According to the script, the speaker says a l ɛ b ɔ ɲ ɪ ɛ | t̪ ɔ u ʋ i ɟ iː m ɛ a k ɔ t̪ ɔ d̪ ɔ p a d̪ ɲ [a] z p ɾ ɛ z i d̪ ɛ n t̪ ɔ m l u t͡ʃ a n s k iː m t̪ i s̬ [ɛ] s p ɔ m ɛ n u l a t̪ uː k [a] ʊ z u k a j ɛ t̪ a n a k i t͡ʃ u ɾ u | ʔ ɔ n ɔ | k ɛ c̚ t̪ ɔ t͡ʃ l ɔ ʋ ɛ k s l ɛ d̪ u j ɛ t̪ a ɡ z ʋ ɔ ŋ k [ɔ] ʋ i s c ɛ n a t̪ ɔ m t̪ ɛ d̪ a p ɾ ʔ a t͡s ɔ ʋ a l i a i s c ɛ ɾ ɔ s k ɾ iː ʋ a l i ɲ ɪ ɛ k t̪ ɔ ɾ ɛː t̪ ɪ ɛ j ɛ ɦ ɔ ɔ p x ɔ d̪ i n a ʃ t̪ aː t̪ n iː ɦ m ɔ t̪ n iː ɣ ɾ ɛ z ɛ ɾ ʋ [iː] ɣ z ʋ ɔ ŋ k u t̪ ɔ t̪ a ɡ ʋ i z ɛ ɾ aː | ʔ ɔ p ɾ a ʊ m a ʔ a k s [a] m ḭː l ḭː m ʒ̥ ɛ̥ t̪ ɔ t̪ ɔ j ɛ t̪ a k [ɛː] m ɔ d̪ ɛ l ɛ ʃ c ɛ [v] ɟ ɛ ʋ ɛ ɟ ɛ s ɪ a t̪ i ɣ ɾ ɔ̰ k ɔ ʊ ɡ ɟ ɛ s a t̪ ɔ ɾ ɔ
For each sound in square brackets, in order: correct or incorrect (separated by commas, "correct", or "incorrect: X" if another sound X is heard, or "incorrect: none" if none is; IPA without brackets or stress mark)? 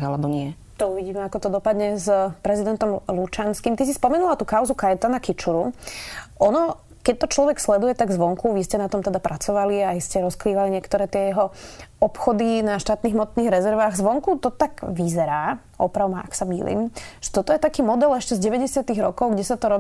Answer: incorrect: ɛ, incorrect: i, correct, incorrect: u, incorrect: aː, correct, incorrect: iː, incorrect: z